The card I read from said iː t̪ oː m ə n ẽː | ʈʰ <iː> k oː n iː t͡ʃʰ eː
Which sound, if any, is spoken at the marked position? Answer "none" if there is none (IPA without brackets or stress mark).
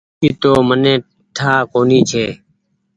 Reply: aː